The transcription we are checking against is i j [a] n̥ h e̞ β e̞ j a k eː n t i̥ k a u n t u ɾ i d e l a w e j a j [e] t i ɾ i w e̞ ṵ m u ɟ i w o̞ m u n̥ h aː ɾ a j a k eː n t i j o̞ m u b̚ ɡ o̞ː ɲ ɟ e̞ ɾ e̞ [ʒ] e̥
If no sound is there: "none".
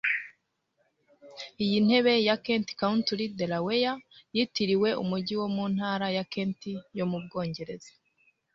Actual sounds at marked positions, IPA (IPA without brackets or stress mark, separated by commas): i, i, z